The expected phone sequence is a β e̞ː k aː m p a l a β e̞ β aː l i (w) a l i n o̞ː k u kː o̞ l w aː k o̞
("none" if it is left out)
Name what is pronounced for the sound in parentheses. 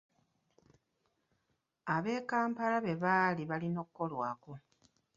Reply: β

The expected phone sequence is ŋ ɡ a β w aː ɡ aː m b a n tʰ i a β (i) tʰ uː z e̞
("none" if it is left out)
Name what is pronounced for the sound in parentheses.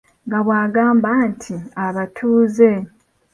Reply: a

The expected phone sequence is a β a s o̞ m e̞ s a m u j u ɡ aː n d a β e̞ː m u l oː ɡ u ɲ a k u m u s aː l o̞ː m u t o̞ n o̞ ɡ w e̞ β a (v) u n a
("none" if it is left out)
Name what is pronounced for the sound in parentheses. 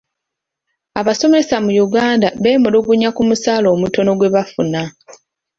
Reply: f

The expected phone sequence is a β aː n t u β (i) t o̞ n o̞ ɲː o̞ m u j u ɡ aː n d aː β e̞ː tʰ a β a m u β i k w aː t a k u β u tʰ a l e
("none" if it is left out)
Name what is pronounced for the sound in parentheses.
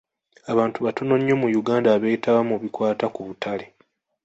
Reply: a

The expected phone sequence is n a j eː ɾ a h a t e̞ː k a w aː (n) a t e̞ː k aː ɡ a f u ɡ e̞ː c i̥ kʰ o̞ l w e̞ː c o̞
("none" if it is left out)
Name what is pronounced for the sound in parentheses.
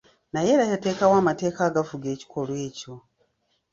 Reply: m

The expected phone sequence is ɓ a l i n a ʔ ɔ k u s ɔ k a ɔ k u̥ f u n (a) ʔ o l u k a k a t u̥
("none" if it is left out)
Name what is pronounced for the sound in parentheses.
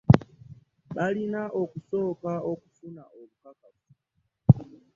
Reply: a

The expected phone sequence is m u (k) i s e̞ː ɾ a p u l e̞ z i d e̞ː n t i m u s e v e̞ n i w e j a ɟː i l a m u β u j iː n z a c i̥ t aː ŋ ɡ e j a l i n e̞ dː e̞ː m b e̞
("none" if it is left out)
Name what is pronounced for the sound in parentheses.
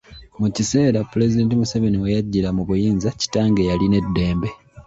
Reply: c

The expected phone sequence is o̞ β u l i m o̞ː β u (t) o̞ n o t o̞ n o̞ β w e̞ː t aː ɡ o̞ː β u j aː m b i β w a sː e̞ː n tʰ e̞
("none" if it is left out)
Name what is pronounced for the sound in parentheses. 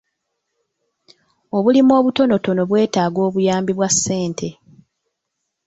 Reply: t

